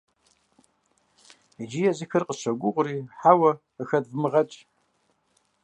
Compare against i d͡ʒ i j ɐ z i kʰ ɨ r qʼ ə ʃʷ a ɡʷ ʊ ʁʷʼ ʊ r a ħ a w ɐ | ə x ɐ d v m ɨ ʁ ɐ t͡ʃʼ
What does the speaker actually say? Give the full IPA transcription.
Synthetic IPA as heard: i d͡ʒ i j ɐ z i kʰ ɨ r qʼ ə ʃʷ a ɡʷ ʊ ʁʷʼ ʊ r i ħ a w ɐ | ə x ɐ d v m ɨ ʁ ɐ t͡ʃʼ